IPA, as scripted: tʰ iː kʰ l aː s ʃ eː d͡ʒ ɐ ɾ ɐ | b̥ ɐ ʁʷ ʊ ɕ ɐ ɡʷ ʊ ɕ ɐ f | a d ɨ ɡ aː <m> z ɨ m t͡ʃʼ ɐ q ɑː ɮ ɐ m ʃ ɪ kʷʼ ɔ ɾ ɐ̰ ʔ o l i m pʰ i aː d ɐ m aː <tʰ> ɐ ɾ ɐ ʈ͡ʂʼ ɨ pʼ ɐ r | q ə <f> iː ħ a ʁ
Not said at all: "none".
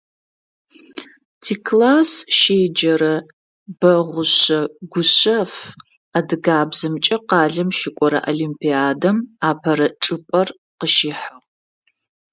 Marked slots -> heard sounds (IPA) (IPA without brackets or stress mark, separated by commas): b, pʰ, ʃ